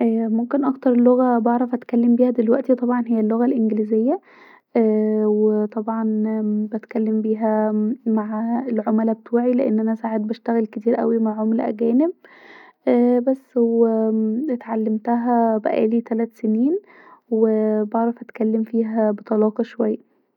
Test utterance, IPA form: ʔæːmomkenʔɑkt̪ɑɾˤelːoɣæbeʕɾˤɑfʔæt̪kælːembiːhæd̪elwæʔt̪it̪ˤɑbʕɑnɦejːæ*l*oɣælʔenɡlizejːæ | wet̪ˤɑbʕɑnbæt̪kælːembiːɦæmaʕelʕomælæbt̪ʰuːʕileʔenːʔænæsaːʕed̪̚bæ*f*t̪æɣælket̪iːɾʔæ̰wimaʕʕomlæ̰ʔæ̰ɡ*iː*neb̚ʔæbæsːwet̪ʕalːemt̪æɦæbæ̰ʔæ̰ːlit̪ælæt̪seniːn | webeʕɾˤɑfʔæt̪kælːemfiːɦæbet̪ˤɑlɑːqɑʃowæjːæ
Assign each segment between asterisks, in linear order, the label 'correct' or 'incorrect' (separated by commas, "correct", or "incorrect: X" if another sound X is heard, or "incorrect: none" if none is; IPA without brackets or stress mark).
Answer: incorrect: lː, incorrect: ʃ, incorrect: æː